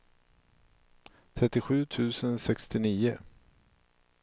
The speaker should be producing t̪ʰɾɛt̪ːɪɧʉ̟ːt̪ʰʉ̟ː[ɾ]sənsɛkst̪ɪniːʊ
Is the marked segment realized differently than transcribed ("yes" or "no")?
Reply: yes